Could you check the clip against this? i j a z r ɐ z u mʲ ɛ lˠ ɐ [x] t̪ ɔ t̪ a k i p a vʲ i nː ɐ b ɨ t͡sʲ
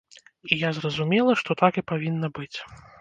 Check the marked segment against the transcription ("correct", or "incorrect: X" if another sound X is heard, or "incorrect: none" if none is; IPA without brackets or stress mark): incorrect: ʂ